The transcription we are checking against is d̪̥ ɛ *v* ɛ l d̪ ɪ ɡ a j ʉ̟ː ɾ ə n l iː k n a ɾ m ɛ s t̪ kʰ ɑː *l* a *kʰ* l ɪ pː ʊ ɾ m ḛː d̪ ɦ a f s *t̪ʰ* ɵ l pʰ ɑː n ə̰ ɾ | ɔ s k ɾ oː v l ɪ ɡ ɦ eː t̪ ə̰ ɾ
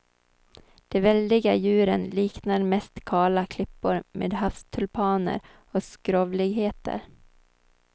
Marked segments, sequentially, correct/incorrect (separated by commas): correct, correct, correct, correct